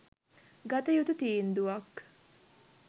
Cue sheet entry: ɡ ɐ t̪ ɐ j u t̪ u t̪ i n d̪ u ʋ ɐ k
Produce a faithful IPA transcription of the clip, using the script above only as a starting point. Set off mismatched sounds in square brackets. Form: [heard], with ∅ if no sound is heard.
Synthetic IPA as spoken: ɡ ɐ t̪ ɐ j u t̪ u t̪ [iː] n d̪ u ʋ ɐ k